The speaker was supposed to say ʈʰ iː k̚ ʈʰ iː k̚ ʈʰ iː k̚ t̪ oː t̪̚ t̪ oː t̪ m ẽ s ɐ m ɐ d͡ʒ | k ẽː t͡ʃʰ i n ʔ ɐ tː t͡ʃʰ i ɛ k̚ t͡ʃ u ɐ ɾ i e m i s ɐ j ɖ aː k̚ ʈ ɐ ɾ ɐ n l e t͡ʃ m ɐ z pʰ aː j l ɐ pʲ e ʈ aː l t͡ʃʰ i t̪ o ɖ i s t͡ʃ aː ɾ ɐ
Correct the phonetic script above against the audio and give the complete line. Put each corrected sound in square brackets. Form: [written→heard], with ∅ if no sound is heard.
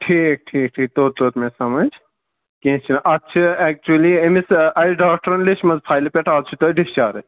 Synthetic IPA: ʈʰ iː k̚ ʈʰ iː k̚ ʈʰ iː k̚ t̪ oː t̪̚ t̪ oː t̪ m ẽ s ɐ m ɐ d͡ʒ | k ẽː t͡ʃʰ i n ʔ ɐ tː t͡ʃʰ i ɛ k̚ t͡ʃ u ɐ [ɾ→l] i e m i s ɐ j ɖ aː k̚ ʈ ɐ ɾ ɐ n l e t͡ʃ m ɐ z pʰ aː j l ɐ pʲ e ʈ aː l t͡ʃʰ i t̪ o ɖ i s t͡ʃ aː ɾ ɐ

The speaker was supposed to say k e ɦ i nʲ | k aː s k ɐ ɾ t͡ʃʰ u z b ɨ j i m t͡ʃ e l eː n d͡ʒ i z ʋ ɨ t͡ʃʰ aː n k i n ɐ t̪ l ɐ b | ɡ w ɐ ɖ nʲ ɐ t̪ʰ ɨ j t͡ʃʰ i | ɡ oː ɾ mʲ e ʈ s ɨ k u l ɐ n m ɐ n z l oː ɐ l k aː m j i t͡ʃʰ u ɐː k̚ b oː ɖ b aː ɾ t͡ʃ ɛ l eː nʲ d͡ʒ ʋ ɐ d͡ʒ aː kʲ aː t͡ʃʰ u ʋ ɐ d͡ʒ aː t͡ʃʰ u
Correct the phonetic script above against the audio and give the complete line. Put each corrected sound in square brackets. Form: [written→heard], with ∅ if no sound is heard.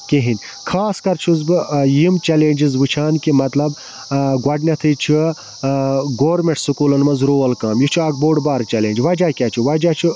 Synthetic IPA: k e ɦ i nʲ | [k→kʰ] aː s k ɐ ɾ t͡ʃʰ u z b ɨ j i m t͡ʃ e l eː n d͡ʒ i z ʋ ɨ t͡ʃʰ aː n k i [n→m] ɐ t̪ l ɐ b | ɡ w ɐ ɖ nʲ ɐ t̪ʰ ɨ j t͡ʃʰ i | ɡ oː ɾ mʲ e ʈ s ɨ k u l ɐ n m ɐ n z [l→ɾ] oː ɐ l k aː m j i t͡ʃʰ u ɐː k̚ b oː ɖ b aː ɾ t͡ʃ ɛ l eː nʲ d͡ʒ ʋ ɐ d͡ʒ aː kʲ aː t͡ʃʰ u ʋ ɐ d͡ʒ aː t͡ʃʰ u

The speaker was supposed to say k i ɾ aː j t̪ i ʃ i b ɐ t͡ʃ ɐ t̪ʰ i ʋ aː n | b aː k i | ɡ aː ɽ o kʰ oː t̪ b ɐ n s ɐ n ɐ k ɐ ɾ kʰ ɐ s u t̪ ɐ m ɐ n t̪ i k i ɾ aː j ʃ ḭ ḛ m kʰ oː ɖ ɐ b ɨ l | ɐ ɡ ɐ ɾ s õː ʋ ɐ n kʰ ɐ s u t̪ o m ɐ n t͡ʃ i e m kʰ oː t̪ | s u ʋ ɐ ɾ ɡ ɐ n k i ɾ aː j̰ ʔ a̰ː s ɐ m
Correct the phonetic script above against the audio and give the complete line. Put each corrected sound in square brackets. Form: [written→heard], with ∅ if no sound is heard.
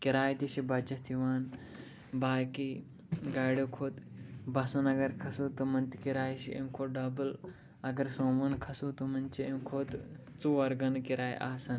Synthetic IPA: k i ɾ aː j t̪ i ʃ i b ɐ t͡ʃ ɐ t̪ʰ i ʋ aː n | b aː k i | ɡ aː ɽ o kʰ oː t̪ b ɐ [n→∅] s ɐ n ɐ [k→ɡ] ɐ ɾ kʰ ɐ s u t̪ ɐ m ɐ n t̪ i k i ɾ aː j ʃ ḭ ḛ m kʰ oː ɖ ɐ b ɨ l | ɐ ɡ ɐ ɾ s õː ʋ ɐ n kʰ ɐ s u t̪ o m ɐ n t͡ʃ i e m kʰ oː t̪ | [s→t͡s] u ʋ ɐ ɾ ɡ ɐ n k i ɾ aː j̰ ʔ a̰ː s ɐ [m→n]

